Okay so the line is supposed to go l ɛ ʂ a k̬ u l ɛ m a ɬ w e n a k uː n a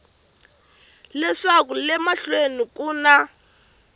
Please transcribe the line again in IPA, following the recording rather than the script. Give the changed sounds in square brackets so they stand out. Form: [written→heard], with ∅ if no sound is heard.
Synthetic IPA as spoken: l ɛ ʂ a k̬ u l ɛ m a ɬ w e n [a→i] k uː n a